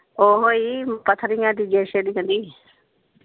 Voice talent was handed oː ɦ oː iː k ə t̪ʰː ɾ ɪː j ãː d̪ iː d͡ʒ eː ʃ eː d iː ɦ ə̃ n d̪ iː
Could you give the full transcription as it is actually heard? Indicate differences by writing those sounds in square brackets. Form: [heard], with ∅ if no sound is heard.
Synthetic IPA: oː ɦ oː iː [p] ə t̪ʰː ɾ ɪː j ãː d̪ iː d͡ʒ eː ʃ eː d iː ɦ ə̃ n d̪ iː